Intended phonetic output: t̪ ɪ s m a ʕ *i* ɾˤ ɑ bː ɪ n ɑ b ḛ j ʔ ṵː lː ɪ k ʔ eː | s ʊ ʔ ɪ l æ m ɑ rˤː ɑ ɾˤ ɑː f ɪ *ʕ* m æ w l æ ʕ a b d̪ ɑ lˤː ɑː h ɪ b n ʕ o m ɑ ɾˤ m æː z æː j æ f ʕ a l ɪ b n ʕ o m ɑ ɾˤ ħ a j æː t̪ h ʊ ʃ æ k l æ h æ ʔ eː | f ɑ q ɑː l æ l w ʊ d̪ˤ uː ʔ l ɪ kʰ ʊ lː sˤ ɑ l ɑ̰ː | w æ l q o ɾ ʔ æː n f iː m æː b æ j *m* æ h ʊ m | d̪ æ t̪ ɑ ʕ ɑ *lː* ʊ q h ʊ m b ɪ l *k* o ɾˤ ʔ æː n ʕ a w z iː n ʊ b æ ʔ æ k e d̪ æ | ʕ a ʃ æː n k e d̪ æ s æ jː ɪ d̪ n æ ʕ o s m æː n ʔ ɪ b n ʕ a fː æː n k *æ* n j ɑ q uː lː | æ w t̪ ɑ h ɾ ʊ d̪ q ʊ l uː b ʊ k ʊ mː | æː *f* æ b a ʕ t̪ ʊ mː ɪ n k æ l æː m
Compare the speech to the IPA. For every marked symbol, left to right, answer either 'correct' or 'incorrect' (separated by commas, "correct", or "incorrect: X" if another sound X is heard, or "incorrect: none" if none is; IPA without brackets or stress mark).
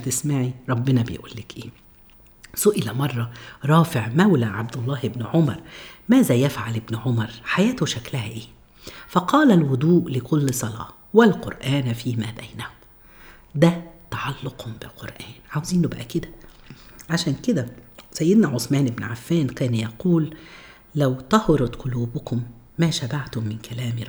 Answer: correct, correct, incorrect: n, correct, incorrect: q, incorrect: æː, incorrect: ʃ